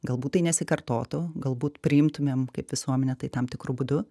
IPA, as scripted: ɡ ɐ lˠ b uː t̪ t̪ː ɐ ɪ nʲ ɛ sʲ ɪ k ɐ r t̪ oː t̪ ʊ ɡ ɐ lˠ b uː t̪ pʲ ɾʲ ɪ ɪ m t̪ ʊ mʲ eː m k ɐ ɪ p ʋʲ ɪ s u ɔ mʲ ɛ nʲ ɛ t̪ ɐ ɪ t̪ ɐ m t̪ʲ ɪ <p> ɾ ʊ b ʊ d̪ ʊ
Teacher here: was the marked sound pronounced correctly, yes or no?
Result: no